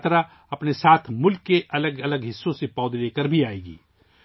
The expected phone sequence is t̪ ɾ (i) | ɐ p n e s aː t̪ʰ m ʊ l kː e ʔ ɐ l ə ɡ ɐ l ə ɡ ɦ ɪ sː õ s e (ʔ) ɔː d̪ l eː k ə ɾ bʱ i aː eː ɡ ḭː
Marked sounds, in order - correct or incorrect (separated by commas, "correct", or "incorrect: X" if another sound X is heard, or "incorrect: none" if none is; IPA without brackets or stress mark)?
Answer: incorrect: a, incorrect: p